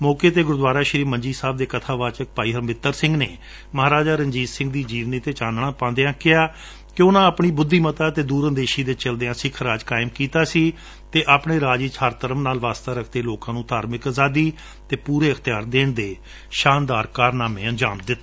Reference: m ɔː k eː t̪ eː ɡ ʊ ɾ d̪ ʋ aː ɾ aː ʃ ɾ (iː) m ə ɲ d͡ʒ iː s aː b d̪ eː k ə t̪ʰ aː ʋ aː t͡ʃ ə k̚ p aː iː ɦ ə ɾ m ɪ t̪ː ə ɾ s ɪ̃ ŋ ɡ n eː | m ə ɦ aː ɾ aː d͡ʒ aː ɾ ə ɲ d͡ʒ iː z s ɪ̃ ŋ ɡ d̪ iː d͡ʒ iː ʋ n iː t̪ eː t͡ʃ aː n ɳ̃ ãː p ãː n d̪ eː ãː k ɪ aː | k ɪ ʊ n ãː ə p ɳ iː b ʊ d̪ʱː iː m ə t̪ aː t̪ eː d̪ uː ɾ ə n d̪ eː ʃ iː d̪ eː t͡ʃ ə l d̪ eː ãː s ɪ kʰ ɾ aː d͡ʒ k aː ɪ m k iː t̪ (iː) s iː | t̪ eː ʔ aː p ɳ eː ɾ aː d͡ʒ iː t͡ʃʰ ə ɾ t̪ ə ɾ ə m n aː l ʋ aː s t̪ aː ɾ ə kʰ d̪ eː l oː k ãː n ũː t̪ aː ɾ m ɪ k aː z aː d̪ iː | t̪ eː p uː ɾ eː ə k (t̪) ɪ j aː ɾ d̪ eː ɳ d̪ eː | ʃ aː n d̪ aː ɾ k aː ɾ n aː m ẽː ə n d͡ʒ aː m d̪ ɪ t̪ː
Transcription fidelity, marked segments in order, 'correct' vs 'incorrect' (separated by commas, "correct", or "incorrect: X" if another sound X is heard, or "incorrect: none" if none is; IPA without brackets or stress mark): correct, incorrect: aː, correct